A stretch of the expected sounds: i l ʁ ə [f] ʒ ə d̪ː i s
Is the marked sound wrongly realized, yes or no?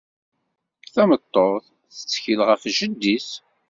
no